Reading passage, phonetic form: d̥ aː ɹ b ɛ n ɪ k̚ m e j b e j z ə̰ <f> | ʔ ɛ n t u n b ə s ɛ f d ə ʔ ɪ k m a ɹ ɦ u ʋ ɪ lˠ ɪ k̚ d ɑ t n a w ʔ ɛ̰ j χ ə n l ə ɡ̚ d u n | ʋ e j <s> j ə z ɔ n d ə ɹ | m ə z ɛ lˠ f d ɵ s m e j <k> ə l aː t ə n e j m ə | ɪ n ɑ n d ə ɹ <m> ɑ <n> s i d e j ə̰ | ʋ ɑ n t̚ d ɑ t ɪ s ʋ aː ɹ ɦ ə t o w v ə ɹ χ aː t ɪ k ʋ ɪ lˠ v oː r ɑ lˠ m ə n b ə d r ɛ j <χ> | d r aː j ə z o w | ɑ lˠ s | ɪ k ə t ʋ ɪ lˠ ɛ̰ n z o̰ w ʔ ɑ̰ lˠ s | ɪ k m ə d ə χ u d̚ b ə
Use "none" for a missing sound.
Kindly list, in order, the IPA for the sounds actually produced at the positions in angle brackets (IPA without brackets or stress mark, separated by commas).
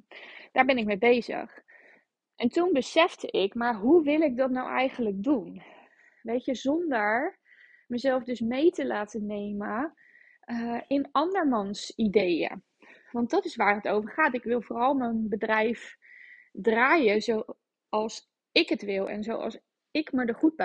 χ, t, t, m, n, f